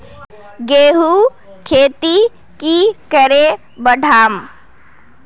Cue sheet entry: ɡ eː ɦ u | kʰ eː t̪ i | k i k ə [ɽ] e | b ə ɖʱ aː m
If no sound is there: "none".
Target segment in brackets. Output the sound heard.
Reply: ɾ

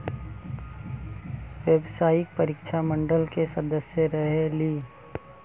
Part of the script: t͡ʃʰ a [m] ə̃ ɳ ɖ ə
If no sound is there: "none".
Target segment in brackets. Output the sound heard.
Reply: m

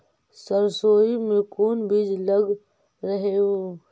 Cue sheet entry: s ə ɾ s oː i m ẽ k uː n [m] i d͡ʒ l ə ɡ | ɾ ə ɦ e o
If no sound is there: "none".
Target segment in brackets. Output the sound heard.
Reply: b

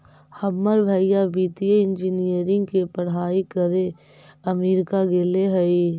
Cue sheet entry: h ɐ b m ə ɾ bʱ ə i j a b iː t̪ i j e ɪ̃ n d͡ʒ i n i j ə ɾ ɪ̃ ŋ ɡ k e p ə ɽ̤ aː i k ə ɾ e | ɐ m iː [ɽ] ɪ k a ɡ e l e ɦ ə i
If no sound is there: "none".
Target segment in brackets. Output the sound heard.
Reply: ɾ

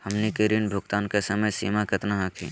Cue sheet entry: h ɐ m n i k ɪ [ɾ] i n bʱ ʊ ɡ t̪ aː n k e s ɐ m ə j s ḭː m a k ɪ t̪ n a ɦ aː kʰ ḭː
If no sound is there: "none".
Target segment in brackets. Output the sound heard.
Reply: ɾ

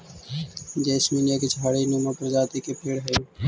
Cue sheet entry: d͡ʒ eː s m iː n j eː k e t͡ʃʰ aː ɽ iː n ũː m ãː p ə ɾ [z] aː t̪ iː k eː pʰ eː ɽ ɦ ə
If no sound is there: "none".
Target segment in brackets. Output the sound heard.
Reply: z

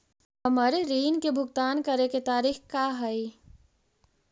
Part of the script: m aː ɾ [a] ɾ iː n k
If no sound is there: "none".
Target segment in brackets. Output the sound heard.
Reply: e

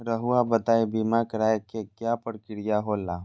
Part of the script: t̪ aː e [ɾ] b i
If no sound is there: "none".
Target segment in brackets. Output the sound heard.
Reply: none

